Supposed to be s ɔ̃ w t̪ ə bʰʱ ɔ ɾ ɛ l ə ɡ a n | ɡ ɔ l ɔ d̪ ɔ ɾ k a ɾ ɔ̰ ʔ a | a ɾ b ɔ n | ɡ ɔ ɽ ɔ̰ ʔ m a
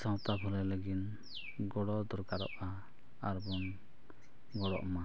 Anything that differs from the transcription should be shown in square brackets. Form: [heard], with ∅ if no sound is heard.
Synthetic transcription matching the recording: s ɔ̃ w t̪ [a] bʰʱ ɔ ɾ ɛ l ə ɡ [i] n | ɡ ɔ [ɽ] ɔ d̪ ɔ ɾ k a ɾ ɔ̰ ʔ a | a ɾ b ɔ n | ɡ ɔ ɽ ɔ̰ ʔ m a